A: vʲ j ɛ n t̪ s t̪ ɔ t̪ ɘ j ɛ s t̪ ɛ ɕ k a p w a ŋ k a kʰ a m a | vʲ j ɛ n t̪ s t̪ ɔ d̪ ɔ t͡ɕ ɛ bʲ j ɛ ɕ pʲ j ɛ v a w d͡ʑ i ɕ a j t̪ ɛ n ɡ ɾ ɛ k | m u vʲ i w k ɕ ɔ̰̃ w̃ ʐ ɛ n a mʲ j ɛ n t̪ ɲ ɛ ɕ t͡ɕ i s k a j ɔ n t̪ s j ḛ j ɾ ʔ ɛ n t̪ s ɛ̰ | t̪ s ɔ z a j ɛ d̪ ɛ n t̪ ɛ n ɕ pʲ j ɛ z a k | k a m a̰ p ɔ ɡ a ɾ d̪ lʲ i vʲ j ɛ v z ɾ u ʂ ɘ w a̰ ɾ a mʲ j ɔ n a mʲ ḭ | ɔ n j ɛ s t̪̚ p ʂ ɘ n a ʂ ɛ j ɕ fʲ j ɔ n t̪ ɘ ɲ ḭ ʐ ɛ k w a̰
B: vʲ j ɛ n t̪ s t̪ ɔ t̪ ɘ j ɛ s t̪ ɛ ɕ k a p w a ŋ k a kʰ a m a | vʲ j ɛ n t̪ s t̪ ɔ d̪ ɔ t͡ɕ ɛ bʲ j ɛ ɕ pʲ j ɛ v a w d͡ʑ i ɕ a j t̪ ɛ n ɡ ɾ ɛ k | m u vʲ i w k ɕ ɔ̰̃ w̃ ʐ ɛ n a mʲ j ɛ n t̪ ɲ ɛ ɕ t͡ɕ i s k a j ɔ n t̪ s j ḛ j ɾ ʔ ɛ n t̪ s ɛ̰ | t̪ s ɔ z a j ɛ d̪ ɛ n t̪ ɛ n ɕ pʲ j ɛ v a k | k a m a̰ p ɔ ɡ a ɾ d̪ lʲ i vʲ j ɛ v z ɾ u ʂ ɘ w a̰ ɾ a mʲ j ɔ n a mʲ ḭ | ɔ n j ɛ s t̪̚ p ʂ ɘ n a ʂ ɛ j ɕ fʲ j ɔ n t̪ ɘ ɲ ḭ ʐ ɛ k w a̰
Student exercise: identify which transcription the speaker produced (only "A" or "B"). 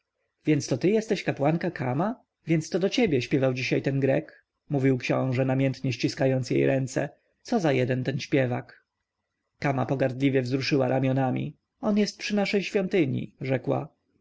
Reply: B